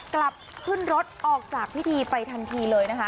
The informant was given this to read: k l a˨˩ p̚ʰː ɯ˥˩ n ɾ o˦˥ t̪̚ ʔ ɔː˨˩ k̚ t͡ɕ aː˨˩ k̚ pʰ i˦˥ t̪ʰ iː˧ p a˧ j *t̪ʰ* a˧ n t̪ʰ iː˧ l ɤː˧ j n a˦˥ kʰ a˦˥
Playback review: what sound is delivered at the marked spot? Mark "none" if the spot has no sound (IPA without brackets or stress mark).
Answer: t̪ʰ